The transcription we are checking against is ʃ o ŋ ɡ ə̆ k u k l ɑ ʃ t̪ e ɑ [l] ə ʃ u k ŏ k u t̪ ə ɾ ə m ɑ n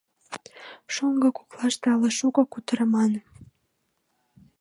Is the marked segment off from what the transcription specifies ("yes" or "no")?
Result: no